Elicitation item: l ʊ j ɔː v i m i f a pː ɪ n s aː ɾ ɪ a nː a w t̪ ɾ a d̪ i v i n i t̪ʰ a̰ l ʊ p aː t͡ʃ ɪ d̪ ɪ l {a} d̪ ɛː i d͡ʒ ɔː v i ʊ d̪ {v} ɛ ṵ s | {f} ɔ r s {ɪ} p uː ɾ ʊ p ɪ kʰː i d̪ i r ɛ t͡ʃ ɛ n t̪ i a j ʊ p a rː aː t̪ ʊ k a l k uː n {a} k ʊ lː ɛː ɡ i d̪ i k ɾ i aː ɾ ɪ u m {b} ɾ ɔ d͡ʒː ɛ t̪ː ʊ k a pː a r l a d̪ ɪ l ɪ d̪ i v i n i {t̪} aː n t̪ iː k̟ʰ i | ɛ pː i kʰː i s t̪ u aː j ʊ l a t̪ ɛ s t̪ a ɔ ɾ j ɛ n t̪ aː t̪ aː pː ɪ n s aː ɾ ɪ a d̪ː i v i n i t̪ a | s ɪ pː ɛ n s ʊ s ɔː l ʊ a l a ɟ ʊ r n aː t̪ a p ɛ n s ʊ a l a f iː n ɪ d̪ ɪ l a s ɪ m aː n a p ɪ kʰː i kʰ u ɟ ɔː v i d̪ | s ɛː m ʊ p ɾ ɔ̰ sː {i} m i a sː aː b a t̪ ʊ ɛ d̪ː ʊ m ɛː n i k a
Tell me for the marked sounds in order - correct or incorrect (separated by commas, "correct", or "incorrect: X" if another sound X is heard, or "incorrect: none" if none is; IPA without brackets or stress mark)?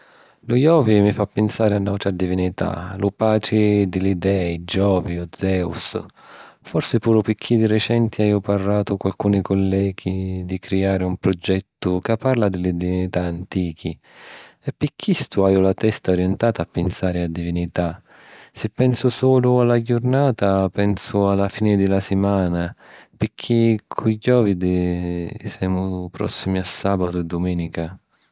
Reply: incorrect: i, incorrect: z, correct, correct, incorrect: i, incorrect: p, correct, correct